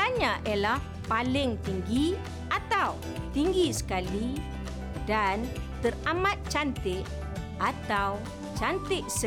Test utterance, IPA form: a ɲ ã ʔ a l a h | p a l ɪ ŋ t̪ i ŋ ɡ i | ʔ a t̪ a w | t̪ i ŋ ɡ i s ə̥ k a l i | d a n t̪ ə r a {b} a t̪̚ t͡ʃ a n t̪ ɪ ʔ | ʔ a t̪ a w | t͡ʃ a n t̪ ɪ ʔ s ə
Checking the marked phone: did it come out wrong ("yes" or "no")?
yes